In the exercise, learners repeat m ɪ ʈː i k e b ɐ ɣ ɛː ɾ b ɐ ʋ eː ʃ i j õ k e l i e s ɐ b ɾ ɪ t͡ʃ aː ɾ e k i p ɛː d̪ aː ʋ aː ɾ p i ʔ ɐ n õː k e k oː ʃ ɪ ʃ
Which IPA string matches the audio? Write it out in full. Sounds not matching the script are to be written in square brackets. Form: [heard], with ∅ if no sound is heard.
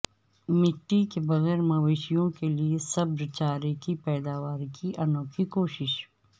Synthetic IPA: m ɪ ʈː i k e b ɐ ɣ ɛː ɾ [m] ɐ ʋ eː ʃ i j õ k e l i e s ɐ b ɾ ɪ t͡ʃ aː ɾ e k i p ɛː d̪ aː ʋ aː ɾ [k] i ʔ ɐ n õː k [i] k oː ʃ ɪ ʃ